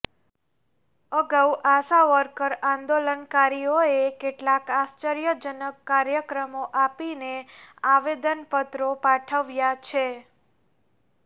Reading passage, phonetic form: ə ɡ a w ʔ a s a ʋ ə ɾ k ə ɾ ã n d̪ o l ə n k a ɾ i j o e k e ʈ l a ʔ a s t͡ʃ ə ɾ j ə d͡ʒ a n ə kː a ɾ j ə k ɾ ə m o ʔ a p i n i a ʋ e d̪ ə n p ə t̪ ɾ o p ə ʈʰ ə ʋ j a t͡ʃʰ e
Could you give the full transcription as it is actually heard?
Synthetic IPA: ə ɡ a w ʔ a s a ʋ ə ɾ k ə ɾ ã n d̪ o l ə n k a ɾ i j o e k e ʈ l a k a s t͡ʃ ə ɾ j ə d͡ʒ ə n ə kː a ɾ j ə k ɾ ə m o ʔ a p i n e a ʋ e d̪ ə n p ə t̪ ɾ o p a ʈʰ ə ʋ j a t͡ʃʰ e